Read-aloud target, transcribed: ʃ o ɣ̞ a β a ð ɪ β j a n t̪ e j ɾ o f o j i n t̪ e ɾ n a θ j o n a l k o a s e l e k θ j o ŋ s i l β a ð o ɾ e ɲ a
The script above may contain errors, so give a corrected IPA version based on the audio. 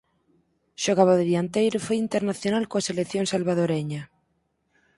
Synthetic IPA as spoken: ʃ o ɣ̞ a β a ð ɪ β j a n t̪ e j ɾ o f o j i n t̪ e ɾ n a θ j o n a l k o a s e l e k θ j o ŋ s a l β a ð o ɾ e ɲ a